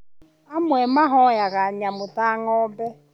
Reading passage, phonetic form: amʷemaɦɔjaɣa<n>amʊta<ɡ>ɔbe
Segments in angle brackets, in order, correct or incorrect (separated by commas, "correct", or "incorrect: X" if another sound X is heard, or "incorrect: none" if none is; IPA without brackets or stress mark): incorrect: ɲ, incorrect: ŋ